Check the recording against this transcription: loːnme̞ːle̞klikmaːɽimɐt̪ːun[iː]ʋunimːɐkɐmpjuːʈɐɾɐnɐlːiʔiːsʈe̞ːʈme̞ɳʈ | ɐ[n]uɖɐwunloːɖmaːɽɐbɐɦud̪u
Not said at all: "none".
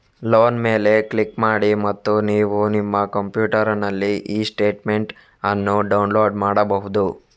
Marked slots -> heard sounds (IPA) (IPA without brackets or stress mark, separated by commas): iː, nː